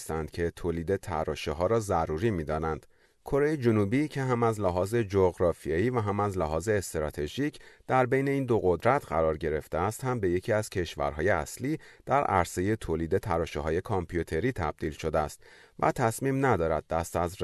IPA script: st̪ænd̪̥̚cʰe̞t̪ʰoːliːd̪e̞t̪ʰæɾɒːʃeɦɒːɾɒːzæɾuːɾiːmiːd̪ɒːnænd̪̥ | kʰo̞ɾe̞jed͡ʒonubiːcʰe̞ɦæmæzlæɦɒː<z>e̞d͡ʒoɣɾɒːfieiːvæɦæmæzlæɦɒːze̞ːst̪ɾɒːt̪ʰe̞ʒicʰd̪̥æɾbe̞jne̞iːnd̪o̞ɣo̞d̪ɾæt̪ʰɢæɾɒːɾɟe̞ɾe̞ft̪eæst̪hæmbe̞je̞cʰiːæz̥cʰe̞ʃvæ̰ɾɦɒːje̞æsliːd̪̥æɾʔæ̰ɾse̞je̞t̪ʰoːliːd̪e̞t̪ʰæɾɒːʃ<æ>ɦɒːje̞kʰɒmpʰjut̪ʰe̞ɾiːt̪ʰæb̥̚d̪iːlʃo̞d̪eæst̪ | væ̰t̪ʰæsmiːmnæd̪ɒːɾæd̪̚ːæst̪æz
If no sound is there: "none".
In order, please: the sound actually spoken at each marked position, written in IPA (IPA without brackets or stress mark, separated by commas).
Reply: z, e